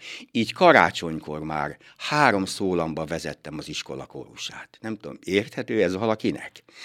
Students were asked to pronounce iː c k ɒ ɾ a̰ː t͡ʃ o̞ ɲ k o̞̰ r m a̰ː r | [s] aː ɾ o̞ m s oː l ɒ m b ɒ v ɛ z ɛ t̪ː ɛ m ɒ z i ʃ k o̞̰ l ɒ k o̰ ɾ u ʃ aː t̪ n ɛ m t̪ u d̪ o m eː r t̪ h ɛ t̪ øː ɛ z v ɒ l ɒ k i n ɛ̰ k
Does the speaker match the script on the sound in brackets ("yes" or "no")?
no